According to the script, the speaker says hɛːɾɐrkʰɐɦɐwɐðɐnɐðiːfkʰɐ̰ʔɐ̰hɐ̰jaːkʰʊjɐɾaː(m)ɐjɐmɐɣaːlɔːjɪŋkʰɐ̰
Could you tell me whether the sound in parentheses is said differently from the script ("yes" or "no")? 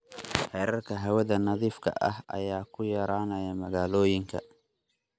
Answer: yes